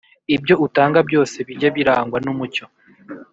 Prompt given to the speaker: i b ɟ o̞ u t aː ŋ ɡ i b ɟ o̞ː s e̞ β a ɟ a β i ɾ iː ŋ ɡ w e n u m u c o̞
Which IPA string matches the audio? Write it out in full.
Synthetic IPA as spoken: i b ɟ o̞ u t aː ŋ ɡ a b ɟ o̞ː s e̞ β i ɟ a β i ɾ aː ŋ ɡ w a n u m u c o̞